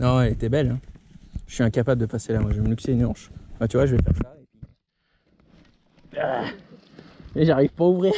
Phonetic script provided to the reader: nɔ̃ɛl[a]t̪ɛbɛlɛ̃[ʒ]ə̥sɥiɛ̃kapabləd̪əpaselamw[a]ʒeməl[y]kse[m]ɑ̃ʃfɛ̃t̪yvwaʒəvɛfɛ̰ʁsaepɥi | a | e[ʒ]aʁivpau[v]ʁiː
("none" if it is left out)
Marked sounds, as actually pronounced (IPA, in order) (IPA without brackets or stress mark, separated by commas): e, ʒ, a, y, n, ʒ, v